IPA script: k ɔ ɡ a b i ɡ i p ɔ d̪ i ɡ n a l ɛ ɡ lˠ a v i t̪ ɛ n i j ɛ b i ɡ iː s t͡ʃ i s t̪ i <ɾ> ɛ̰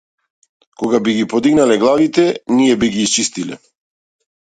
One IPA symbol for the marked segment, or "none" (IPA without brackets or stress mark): l